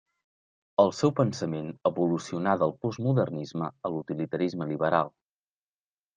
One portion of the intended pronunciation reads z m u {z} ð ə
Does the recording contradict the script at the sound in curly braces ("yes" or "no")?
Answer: yes